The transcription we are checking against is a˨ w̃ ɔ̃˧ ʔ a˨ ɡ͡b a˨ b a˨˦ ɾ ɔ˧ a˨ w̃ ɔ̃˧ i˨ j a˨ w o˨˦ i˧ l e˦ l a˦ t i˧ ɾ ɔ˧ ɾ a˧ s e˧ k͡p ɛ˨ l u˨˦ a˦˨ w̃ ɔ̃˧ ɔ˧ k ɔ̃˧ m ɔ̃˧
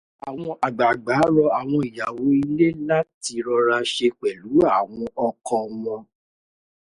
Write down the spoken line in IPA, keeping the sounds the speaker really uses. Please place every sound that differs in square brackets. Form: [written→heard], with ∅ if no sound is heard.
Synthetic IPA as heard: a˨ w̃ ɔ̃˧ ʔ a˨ ɡ͡b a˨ [b→ɡ͡b] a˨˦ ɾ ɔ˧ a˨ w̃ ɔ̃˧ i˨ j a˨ w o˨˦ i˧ l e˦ l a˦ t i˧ ɾ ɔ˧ ɾ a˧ [s→ʃ] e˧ k͡p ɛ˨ l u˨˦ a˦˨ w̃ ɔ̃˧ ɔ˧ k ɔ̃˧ m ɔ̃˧